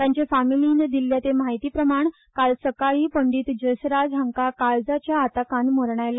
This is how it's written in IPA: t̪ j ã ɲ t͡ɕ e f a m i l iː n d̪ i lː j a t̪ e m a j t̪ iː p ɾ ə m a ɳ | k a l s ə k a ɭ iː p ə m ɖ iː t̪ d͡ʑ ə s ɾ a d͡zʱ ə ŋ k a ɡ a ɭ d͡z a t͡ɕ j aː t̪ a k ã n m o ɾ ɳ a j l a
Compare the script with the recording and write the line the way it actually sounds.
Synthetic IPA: t̪ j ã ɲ t͡ɕ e f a m i l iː n d̪ i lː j a t̪ e m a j t̪ iː p ɾ ə m a ɳ | k a l s ə k a ɭ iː p ə ɳ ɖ iː t̪ d͡ʑ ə s ɾ a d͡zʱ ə ŋ k a k a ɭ d͡z a t͡ɕ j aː t̪ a k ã n m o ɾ ɳ a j l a